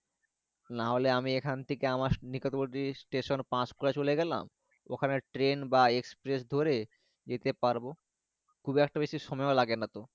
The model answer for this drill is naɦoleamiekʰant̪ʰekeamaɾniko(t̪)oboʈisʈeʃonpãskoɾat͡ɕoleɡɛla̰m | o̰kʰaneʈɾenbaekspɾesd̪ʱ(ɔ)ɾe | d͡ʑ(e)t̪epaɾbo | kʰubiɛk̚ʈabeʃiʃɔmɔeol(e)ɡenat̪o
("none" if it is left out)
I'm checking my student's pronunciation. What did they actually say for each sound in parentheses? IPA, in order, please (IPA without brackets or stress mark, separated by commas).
t̪, o, e, a